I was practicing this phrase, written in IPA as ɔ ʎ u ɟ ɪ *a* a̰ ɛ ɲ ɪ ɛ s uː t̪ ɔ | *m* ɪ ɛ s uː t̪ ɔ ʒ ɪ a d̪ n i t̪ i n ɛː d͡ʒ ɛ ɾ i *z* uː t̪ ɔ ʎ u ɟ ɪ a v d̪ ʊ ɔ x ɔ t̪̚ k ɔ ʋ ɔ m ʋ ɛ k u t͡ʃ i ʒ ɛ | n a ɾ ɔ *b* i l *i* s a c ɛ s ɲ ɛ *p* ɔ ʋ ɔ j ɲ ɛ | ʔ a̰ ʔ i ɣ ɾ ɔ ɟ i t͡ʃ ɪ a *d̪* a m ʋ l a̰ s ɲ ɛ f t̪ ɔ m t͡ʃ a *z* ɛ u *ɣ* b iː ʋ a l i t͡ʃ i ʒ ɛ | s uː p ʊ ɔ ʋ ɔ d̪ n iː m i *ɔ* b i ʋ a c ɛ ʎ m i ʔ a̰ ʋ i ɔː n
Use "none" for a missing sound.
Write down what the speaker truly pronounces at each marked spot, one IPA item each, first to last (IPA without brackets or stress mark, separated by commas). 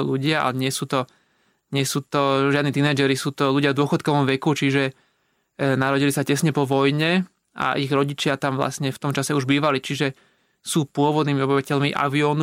a, ɲ, s, ɟ, i, p, t̪, s, ʒ, ɔ